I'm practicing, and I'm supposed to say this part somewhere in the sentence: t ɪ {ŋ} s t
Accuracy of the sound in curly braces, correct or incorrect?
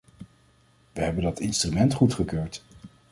incorrect